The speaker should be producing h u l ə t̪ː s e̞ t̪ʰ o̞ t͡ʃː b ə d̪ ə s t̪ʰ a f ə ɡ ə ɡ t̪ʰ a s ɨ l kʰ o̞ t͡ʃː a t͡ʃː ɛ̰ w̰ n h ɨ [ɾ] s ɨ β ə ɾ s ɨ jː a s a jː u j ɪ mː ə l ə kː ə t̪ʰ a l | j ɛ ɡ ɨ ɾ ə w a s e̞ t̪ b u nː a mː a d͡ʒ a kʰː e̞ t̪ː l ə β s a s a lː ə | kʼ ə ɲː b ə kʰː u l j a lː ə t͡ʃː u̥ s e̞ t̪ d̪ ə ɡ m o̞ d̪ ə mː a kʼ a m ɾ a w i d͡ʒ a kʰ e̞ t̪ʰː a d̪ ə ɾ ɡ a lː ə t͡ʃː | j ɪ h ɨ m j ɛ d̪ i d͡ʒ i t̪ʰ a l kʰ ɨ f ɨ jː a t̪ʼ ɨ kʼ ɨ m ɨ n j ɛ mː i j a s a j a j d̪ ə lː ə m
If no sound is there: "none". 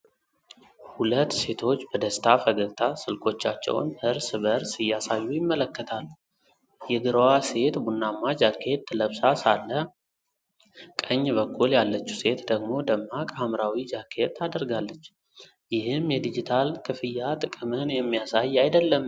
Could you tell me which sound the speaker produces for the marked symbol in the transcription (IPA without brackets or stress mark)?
ɾ